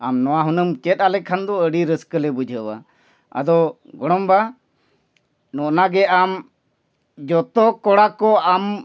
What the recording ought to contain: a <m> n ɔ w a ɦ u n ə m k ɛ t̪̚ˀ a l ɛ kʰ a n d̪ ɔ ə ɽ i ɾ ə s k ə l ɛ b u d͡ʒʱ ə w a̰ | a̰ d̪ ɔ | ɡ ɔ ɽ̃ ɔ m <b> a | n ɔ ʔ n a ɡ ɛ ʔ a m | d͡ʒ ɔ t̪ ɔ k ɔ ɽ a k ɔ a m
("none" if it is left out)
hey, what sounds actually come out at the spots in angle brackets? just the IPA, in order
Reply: m, b

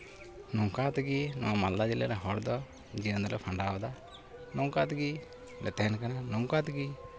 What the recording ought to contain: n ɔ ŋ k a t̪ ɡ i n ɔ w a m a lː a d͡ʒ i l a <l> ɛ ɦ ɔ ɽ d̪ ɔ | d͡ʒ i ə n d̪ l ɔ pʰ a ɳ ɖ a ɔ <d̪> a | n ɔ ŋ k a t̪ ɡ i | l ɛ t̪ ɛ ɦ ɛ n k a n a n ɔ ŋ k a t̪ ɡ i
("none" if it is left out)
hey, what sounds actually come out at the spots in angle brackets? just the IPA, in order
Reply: ɾ, d̪

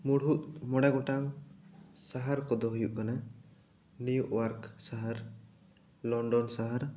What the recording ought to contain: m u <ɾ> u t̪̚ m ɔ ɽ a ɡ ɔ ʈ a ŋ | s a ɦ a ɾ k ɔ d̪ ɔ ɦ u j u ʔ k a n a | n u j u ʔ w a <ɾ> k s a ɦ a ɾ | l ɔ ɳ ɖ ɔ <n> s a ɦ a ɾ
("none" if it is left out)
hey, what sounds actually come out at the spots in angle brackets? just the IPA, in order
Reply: ɽ, ɾ, n

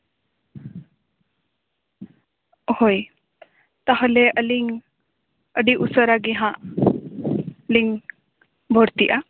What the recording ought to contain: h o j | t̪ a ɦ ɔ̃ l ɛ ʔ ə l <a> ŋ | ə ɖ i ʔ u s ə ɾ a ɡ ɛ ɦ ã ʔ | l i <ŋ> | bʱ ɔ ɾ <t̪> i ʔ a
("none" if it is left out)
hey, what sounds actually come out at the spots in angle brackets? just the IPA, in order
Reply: i, ŋ, t̪

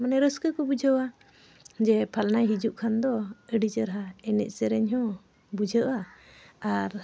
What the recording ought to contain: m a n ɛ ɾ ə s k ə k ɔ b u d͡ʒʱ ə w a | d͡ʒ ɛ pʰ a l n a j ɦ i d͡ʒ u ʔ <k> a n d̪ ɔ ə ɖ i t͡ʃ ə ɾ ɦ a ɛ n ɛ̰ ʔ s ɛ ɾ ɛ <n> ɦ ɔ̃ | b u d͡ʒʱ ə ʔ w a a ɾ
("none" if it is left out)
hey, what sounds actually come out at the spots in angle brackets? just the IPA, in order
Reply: kʰ, ɲ

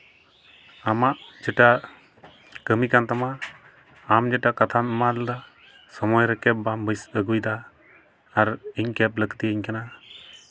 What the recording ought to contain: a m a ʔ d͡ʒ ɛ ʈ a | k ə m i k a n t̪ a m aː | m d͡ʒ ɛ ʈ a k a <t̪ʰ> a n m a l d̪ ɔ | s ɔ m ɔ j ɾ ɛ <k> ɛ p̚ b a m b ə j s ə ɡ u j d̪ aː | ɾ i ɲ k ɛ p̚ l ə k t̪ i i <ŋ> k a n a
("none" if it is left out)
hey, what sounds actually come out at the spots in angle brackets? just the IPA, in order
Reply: t̪ʰ, k, ɲ

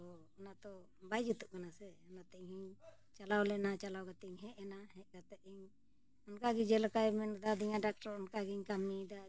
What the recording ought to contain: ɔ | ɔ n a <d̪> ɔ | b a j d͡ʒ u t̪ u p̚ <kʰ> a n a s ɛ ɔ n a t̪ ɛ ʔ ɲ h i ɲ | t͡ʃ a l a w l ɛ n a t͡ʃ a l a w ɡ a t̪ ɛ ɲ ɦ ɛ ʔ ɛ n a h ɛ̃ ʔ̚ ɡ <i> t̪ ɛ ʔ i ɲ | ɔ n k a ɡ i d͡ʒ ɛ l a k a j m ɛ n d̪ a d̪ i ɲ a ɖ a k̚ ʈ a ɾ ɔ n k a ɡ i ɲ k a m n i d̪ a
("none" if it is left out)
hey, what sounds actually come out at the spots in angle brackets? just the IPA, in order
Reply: t̪, k, a

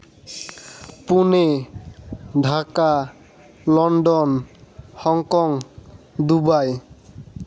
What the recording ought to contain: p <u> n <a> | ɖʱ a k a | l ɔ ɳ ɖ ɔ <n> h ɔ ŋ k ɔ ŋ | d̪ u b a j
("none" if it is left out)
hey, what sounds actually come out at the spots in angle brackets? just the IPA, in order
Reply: u, e, n

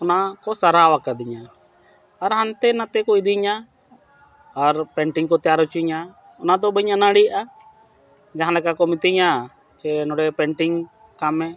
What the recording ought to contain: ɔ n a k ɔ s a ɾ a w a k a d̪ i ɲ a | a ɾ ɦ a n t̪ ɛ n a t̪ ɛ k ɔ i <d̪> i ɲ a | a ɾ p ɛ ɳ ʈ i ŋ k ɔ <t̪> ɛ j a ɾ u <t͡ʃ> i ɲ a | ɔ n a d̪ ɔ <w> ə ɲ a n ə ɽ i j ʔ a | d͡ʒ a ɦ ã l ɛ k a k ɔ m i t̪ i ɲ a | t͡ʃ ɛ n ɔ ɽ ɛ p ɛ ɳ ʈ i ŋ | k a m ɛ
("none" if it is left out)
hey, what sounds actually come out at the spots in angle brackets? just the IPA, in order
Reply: d̪, t̪, t͡ʃ, b

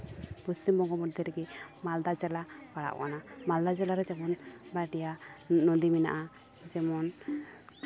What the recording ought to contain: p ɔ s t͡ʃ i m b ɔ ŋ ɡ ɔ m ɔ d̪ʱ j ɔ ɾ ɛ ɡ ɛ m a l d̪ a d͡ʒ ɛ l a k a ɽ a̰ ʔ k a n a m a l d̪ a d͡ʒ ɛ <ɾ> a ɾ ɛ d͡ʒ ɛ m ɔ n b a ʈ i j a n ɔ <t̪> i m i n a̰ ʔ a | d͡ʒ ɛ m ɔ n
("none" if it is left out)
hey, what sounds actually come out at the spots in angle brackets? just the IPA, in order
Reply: l, d̪

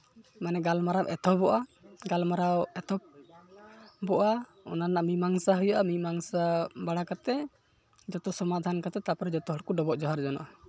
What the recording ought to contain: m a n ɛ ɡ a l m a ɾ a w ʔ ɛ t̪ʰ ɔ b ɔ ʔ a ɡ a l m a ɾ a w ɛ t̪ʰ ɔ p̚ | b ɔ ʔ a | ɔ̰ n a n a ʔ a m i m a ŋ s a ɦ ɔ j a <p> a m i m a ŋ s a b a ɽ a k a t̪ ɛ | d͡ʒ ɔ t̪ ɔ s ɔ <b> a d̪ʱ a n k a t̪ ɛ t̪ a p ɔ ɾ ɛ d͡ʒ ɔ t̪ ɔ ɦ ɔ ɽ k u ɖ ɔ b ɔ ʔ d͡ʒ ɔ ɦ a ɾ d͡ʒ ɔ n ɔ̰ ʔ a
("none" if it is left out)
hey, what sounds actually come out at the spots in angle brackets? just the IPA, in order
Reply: ʔ, m

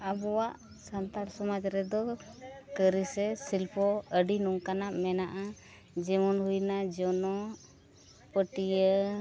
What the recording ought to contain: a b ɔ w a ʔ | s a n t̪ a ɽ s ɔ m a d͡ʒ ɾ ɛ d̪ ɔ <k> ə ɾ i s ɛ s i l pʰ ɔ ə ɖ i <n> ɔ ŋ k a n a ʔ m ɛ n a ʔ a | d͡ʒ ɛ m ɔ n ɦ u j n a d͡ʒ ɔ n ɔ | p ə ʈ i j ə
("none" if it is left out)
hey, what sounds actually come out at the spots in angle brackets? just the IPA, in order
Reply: k, n

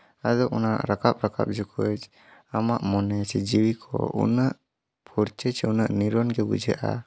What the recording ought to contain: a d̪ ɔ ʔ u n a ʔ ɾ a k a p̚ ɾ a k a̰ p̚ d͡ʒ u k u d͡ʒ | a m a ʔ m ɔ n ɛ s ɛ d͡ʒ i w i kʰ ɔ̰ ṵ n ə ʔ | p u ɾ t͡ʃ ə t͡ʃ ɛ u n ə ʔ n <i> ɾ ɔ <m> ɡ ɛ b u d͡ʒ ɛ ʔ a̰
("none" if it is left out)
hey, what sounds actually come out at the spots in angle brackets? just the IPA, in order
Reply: i, n

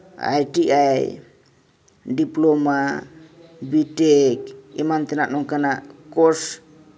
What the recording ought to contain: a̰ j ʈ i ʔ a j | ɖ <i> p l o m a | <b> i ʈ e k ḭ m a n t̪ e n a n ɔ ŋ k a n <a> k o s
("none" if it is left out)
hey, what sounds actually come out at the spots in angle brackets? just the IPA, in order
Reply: i, b, a

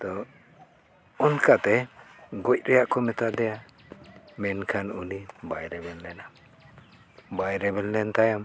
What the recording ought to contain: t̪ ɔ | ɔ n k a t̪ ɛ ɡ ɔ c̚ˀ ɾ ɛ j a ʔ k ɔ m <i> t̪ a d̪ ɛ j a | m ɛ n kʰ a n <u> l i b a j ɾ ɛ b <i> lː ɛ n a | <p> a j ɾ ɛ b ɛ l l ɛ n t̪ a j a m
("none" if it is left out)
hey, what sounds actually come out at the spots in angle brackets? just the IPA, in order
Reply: ɛ, u, ɛ, b

